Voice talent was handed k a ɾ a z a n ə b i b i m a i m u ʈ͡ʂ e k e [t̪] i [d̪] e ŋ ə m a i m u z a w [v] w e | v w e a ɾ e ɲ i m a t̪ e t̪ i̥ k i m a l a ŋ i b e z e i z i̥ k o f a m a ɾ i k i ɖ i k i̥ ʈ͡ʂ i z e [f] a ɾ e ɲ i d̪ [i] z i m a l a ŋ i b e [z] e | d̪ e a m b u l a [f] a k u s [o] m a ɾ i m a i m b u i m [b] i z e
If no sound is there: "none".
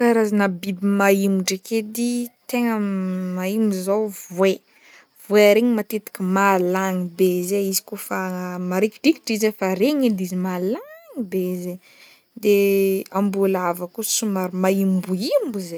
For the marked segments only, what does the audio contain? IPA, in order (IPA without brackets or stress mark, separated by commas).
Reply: d̪, t̪, v, f, i, z, v, u, b